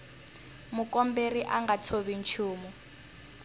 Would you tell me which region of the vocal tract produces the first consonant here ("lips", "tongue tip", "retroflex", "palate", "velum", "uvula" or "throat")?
lips